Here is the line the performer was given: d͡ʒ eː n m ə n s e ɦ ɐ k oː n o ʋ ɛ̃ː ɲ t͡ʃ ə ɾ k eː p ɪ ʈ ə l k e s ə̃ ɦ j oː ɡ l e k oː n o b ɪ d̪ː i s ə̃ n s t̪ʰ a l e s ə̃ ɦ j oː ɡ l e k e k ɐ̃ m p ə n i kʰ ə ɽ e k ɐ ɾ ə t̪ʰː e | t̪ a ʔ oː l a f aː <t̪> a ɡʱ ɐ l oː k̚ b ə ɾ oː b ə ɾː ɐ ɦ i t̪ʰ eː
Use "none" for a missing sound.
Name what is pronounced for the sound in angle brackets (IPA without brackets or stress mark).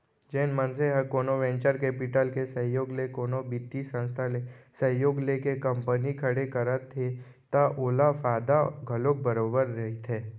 d̪